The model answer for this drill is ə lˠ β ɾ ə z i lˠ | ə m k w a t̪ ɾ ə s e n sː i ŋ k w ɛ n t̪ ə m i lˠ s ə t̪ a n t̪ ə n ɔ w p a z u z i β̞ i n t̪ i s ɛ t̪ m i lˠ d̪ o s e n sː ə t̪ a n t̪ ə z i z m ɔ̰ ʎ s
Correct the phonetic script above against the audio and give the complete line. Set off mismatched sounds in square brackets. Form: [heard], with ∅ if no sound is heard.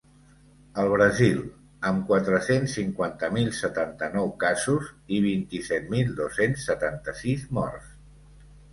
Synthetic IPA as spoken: ə lˠ β ɾ ə z i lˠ | ə m k w a t̪ ɾ ə s e n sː i ŋ k w [a] n t̪ ə m i lˠ s ə t̪ a n t̪ ə n ɔ w [k] a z u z i β̞ i n t̪ i s ɛ t̪ m i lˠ d̪ o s e n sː ə t̪ a n t̪ ə [s] i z m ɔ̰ [r] s